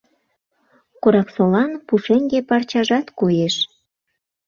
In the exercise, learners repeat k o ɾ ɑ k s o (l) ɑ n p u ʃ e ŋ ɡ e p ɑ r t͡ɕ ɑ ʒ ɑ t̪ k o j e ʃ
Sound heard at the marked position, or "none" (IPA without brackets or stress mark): l